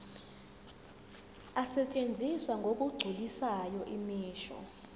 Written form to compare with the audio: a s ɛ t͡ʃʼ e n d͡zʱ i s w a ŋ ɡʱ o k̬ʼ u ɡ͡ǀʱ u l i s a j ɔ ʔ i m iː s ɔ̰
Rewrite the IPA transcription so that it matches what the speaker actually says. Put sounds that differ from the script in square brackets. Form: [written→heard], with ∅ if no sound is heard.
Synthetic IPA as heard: a s ɛ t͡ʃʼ e n d͡zʱ i s w a ŋ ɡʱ o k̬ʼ u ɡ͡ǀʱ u l i s a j ɔ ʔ i m iː [s→ʃ] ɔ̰